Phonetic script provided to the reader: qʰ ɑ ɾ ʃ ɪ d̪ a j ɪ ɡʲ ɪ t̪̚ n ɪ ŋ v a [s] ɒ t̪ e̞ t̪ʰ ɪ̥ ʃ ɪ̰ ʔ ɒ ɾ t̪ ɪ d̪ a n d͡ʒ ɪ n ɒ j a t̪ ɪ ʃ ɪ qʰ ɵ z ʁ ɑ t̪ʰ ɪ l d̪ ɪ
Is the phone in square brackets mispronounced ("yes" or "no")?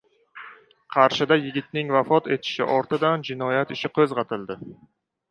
yes